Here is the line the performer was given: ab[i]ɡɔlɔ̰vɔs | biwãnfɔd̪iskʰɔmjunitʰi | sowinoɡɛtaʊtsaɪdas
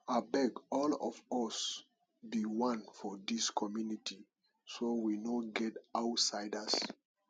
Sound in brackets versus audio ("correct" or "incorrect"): incorrect